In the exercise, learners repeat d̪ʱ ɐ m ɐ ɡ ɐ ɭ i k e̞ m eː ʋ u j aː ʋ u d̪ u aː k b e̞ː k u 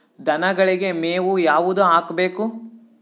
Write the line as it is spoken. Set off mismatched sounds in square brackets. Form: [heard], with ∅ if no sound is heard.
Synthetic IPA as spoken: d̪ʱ ɐ [n] ɐ ɡ ɐ ɭ i [ɡ] e̞ m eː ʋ u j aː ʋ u d̪ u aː k b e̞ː k u